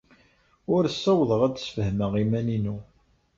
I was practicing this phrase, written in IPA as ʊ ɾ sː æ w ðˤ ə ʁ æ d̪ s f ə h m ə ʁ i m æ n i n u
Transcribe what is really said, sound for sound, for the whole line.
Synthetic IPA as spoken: ʊ ɾ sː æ w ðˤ ə ʁ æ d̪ s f ə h m ə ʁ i m æ n i n u

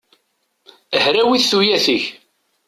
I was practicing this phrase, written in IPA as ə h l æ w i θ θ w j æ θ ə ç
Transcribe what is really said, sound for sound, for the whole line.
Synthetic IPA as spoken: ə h ɾ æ w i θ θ u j æ θ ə ç

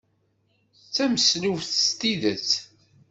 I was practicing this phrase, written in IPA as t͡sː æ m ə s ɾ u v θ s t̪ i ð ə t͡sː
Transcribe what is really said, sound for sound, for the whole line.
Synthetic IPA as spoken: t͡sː æ m ə s l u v θ s t̪ i ð ə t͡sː

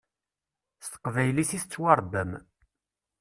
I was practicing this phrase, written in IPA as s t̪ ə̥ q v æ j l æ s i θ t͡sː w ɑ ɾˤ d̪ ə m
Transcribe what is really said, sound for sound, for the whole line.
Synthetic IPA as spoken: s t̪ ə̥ q v æ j l i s i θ t͡sː w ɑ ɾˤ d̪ ə m

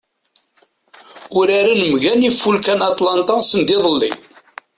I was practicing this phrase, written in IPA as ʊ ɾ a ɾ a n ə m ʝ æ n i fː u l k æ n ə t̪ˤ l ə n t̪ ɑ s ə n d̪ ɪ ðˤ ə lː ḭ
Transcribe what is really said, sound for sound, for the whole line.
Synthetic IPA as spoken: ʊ ɾ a ɾ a n ə m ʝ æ n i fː u l k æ n ɑ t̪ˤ l ɑ n t̪ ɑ s ə n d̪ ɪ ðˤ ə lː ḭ

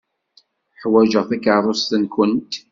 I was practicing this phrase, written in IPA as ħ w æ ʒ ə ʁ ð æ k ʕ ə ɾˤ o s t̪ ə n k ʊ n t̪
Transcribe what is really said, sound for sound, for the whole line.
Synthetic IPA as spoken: ħ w æ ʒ ə ʁ θ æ k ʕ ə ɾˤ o s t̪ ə n k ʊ n t̪

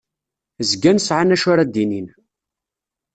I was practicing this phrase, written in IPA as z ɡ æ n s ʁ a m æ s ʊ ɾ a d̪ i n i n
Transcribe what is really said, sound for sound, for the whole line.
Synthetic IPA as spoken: z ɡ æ n s ʕ a n æ ʃ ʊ ɾ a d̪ i n i n

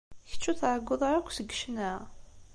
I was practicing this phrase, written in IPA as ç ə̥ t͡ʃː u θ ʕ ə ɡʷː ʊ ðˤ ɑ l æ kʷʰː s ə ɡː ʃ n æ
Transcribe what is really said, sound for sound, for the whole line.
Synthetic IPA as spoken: ç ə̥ t͡ʃː u θ ʕ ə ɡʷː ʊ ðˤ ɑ ɾ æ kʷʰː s ə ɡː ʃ n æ

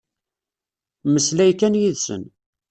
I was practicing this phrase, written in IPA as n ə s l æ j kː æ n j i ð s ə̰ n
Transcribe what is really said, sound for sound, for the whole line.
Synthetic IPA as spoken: m ə s l æ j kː æ n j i ð s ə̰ n

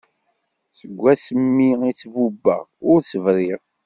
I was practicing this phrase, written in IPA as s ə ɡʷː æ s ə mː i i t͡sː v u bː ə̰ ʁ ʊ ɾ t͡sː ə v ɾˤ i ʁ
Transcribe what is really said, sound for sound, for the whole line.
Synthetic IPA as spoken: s ə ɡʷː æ s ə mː i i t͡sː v u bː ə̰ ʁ ʊ ɾ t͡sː ə v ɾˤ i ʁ

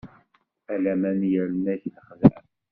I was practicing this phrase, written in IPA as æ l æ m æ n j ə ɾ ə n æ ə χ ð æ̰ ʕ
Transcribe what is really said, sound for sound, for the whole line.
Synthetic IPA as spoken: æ l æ m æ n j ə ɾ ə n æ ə χ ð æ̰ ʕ

